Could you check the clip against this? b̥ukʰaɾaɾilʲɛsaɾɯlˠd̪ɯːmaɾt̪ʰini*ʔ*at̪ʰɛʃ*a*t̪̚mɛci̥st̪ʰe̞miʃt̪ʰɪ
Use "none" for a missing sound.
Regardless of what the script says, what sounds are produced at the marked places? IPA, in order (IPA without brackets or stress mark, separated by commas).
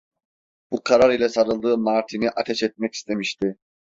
ʔ, ɛ